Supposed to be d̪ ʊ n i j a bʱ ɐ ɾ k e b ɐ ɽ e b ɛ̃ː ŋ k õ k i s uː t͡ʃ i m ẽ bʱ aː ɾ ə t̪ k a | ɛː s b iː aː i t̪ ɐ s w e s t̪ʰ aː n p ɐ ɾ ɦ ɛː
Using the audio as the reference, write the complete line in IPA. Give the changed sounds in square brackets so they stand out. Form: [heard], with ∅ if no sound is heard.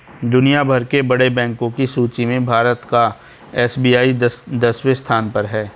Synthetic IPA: d̪ ʊ n i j a bʱ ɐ ɾ k e b ɐ ɽ e b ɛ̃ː ŋ k õ k i s uː t͡ʃ i m ẽ bʱ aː ɾ ə t̪ k a | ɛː s b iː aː i [d̪] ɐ s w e s t̪ʰ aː n p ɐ ɾ ɦ ɛː